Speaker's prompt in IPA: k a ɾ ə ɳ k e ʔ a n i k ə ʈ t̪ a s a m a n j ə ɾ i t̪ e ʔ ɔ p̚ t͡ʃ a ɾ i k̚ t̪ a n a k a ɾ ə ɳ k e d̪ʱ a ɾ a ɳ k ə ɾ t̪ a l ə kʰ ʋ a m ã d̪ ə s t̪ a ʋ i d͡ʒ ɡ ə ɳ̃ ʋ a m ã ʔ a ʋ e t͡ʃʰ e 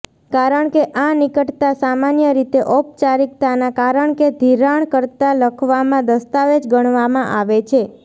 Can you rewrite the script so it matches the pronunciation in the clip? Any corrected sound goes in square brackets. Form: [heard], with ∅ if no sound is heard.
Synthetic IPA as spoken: k a ɾ ə ɳ k e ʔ a n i k ə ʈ t̪ a s a m a n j ə ɾ i t̪ e ʔ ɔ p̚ t͡ʃ a ɾ i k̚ t̪ a n a k a ɾ ə ɳ k e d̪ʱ [i] ɾ a ɳ k ə ɾ t̪ a l ə kʰ ʋ a m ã d̪ ə s t̪ a ʋ [e] d͡ʒ ɡ ə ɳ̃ ʋ a m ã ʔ a ʋ e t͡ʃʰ e